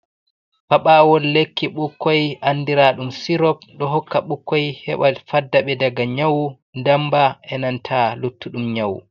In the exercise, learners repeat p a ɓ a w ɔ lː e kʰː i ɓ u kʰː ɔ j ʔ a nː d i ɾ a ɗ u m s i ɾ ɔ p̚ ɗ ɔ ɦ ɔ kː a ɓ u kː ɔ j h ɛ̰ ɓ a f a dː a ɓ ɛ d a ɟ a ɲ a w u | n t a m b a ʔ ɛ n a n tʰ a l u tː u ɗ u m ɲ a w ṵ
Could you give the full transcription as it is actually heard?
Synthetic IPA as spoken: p a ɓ a w ɔ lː e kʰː i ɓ u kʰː ɔ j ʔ a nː d i ɾ a ɗ u m s i ɾ ɔ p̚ ɗ ɔ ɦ ɔ kː a ɓ u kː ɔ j h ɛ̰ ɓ a f a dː a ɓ ɛ d a ɡ a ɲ a w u | n d a m b a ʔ ɛ n a n tʰ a l u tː u ɗ u m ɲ a w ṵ